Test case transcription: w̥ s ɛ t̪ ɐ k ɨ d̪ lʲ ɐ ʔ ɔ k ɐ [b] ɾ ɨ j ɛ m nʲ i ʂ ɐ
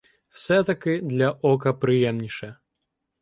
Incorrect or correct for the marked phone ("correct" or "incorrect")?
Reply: incorrect